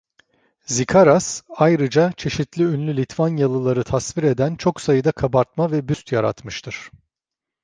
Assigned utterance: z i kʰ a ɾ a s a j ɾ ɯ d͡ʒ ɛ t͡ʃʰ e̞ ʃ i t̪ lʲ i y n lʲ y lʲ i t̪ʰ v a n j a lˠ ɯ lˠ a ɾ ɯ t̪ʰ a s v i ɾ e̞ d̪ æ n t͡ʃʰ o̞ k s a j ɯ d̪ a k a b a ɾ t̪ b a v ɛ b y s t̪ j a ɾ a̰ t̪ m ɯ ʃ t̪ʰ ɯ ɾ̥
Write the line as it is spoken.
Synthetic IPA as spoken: z i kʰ a ɾ a s a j ɾ ɯ d͡ʒ a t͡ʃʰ e̞ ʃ i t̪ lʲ i y n lʲ y lʲ i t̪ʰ v a n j a lˠ ɯ lˠ a ɾ ɯ t̪ʰ a s v i ɾ e̞ d̪ æ n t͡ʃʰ o̞ k s a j ɯ d̪ a kʰ a b a ɾ t̪ m a v ɛ b y s t̪ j a ɾ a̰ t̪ m ɯ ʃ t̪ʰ ɯ ɾ̥